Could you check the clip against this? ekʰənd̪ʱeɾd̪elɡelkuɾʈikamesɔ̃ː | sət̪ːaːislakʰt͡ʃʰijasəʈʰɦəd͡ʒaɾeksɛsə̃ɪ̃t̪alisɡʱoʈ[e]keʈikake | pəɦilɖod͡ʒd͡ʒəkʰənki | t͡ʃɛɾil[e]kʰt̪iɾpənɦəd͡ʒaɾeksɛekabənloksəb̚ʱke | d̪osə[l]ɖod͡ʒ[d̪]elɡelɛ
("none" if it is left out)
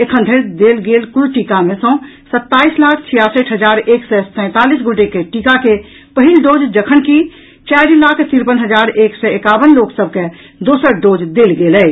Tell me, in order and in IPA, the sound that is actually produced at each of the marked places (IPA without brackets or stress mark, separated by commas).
e, a, ɾ, d̪